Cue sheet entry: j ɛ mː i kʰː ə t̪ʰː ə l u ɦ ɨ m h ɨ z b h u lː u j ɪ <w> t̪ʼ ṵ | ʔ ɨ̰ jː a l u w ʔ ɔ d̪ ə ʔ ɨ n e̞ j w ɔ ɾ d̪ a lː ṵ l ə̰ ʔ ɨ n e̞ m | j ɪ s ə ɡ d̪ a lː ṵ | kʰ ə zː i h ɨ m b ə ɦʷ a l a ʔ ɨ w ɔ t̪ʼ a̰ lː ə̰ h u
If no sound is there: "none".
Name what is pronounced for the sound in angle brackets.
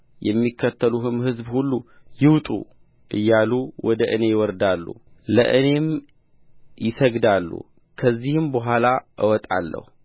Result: w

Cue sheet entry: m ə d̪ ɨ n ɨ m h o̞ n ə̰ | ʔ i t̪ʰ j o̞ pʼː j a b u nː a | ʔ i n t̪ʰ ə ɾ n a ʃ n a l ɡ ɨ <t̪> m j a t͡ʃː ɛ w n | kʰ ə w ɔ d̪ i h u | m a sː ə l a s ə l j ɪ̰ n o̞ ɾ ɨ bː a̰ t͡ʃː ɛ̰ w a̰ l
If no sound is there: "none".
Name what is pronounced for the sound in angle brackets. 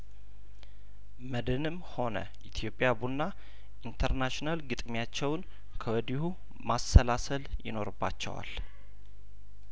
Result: t̪ʼ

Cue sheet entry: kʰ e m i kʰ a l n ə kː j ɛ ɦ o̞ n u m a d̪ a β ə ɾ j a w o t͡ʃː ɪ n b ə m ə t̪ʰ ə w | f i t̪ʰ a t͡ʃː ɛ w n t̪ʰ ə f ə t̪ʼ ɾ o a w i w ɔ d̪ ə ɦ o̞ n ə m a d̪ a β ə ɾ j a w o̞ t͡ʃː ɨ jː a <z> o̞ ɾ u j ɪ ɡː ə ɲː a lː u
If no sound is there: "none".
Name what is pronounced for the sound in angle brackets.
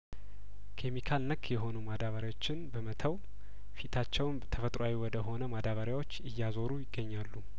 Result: z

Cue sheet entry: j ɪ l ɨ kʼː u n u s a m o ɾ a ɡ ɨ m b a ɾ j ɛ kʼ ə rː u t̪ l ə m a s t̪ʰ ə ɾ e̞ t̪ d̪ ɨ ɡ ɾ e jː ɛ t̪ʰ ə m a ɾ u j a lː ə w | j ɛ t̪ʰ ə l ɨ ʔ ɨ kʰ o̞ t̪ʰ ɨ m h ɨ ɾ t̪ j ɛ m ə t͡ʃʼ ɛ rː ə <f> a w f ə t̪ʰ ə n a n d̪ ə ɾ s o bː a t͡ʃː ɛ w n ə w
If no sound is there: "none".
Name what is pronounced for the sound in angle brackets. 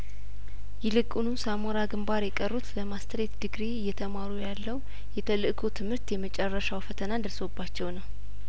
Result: ʃ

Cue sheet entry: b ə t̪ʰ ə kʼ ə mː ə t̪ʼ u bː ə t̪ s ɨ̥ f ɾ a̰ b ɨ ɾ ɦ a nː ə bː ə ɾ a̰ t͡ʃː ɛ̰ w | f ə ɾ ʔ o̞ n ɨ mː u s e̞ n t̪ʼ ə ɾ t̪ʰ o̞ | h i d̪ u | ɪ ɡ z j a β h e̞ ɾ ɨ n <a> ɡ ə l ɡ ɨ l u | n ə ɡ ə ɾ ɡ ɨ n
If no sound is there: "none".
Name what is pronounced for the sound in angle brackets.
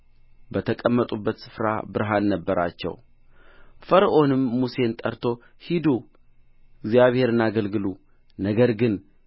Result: a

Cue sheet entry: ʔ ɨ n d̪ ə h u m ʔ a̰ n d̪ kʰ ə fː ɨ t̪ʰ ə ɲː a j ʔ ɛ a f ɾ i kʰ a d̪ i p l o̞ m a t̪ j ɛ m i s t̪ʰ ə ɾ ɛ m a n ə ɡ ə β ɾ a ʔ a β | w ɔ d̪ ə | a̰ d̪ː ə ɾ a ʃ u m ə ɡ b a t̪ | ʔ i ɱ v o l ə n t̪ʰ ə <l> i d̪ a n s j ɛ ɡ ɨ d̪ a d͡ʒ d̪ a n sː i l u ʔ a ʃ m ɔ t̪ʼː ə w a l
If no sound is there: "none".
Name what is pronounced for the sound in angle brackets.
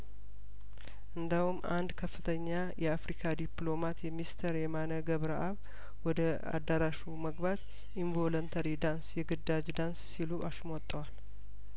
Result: ɾ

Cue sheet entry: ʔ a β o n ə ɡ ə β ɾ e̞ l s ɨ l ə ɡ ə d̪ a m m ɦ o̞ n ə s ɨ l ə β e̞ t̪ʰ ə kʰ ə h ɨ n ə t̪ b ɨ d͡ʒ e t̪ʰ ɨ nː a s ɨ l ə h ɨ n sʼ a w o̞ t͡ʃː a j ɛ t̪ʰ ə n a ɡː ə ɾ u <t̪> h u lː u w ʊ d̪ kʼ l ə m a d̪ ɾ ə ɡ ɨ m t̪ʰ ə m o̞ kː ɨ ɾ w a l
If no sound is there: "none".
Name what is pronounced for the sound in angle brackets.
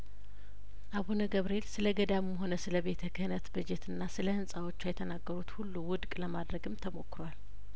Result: t̪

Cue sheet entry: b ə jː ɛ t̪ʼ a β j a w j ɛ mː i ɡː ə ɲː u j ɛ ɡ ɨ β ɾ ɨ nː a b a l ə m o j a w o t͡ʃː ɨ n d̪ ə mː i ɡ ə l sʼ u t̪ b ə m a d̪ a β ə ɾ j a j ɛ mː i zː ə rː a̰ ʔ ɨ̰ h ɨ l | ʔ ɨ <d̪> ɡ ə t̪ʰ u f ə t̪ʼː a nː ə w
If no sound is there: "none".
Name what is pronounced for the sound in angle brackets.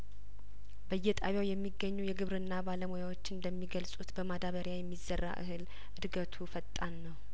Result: d̪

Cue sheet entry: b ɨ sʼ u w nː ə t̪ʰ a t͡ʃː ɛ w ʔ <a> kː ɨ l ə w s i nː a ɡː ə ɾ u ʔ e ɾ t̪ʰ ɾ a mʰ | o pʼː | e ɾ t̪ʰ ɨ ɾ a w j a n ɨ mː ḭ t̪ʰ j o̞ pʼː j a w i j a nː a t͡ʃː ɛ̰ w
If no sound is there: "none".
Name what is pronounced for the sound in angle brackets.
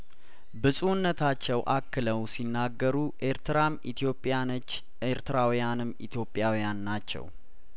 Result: a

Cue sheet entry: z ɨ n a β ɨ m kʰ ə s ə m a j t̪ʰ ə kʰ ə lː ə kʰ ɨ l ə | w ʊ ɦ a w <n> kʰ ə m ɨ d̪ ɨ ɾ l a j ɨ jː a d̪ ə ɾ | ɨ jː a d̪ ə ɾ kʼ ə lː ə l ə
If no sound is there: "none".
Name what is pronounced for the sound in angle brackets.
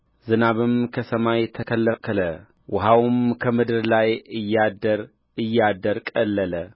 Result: m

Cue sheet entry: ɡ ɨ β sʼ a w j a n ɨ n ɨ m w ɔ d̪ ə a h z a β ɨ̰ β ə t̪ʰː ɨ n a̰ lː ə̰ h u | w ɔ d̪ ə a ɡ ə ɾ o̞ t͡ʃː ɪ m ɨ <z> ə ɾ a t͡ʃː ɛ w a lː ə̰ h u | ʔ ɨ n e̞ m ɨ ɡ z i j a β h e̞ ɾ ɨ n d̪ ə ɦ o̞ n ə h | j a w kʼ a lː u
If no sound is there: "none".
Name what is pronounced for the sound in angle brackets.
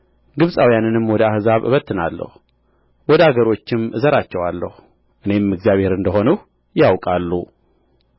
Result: z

